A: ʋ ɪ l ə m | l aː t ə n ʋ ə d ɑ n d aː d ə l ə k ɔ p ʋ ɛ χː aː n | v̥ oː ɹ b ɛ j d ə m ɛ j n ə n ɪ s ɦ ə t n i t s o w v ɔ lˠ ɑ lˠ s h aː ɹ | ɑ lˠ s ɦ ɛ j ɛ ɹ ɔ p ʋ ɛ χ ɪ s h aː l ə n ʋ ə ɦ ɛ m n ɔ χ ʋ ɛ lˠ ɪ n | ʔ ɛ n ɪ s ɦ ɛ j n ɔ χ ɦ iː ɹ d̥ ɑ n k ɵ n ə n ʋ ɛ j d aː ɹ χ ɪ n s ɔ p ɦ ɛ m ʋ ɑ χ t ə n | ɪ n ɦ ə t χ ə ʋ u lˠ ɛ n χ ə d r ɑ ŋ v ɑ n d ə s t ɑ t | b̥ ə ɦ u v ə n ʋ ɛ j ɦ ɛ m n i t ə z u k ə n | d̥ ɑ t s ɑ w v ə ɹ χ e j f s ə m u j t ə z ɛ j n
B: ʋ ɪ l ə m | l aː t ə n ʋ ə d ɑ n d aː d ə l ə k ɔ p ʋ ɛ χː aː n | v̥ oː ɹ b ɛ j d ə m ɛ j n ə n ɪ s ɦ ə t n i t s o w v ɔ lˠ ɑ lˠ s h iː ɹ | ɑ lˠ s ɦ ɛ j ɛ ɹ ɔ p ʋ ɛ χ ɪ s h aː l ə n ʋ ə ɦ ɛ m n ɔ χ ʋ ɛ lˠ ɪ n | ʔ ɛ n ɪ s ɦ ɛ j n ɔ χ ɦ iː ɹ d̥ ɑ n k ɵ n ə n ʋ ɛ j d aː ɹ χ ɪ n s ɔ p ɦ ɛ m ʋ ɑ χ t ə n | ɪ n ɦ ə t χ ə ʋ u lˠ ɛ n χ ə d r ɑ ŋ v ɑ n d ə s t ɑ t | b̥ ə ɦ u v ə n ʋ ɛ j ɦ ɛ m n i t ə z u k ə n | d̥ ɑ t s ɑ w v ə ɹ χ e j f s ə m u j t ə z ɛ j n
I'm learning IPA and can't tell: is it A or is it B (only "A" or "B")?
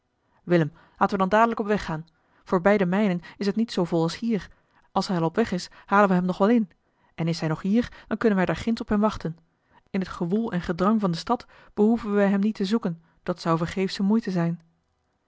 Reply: B